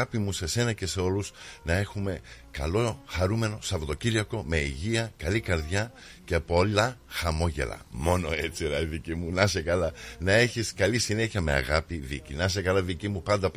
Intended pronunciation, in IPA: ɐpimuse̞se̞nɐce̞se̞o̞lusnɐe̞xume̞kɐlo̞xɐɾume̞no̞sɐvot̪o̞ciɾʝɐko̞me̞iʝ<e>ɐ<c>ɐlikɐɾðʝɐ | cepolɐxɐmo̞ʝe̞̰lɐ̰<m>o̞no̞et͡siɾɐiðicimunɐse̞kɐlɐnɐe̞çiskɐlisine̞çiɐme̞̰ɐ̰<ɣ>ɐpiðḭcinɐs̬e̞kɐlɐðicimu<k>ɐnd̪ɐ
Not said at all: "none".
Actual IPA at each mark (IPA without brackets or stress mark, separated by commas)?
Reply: i, k, m, ɣ, p